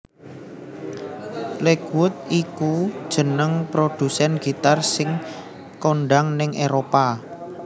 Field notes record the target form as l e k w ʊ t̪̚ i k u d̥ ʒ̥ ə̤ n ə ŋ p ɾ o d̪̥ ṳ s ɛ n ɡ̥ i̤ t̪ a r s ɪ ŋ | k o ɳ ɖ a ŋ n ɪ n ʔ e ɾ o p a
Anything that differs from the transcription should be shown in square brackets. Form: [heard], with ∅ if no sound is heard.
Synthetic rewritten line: l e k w ʊ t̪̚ i k u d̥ ʒ̥ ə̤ n ə ŋ p ɾ o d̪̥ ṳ s ɛ n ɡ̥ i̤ t̪ a r s ɪ ŋ | k o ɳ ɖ a ŋ n ɪ [ŋ] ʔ e ɾ o p a